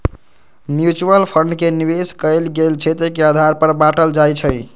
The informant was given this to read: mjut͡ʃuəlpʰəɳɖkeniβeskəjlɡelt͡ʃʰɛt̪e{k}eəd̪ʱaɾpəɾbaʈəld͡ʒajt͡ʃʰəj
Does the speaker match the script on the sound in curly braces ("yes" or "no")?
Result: yes